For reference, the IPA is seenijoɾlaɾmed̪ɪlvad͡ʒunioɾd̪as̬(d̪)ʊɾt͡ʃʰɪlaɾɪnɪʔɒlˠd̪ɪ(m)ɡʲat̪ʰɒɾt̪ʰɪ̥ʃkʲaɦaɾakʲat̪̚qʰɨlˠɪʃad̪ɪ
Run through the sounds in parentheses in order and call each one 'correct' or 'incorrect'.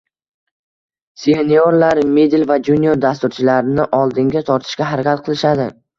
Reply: incorrect: t̪, incorrect: ŋ

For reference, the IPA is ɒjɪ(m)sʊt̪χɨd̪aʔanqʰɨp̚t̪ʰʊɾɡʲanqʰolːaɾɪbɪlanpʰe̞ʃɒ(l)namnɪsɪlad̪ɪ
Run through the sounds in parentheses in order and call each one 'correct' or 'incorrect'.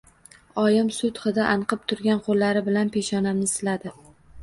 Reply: correct, incorrect: none

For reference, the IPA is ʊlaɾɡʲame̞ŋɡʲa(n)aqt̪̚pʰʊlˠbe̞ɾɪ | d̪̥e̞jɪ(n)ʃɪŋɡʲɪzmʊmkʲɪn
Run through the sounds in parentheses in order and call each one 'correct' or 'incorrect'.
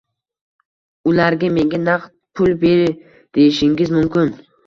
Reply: correct, incorrect: none

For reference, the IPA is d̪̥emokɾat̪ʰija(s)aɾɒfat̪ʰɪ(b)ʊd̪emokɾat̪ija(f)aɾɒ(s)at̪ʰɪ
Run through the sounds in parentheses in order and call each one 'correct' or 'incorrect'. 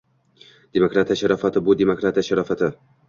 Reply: incorrect: ʃ, correct, incorrect: ʃ, incorrect: f

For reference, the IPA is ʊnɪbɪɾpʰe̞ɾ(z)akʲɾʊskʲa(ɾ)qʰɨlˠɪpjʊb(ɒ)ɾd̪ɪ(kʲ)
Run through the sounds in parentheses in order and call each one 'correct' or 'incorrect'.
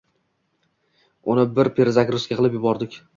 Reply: correct, incorrect: none, correct, correct

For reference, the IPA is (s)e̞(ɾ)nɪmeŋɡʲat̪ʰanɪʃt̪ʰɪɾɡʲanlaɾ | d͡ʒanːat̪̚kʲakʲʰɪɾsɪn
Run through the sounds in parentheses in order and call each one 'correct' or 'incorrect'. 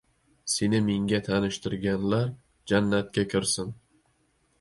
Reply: correct, incorrect: none

